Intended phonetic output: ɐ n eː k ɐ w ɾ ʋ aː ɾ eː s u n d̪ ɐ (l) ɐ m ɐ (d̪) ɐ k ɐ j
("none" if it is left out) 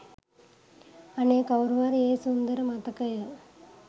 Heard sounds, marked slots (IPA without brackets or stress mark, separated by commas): ɾ, t̪